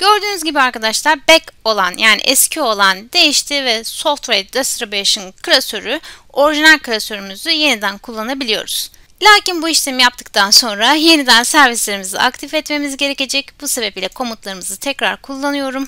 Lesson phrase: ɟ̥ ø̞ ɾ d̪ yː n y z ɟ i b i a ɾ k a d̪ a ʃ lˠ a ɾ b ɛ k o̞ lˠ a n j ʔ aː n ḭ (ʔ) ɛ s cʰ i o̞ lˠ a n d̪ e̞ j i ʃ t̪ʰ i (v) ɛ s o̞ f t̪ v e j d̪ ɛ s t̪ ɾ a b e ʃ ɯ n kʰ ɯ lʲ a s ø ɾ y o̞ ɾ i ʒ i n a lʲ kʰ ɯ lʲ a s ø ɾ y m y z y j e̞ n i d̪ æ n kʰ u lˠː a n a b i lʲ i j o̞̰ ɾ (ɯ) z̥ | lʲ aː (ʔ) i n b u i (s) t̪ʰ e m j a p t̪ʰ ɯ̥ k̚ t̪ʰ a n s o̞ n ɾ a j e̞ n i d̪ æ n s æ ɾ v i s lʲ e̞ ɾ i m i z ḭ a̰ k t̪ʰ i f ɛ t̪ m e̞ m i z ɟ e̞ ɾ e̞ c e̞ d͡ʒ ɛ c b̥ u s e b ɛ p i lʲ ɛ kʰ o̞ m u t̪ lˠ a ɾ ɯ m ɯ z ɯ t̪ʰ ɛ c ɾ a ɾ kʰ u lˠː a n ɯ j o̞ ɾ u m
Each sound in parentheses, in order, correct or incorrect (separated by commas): correct, correct, incorrect, incorrect, incorrect